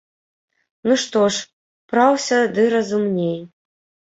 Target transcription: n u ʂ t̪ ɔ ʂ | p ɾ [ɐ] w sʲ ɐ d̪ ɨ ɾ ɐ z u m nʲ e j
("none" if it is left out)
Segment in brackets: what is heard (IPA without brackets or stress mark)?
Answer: a